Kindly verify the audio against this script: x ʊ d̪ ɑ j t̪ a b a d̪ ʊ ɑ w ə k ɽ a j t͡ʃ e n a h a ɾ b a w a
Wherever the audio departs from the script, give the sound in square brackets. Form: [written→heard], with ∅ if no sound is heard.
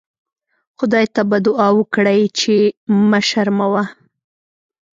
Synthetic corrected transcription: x ʊ d̪ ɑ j t̪ a b a d̪ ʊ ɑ w ə k ɽ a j t͡ʃ e [n→m] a [h→ʃ] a ɾ [b→m] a w a